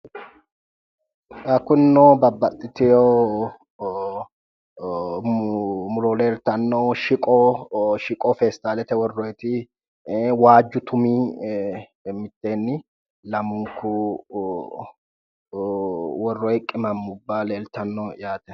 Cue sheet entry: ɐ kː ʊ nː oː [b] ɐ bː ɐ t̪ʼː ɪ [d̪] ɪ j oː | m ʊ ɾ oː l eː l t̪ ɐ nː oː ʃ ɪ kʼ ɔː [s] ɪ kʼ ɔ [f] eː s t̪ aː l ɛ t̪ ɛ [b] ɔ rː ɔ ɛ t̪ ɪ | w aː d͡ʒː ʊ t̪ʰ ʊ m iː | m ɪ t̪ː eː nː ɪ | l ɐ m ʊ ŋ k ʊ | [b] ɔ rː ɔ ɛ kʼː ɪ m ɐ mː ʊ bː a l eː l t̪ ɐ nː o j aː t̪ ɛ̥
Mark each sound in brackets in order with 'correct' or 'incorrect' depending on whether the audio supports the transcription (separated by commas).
correct, incorrect, incorrect, correct, incorrect, incorrect